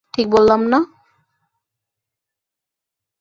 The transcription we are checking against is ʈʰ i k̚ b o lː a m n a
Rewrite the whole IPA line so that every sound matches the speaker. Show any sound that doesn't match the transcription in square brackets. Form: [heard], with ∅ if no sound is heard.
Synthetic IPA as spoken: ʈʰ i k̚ b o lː a m n a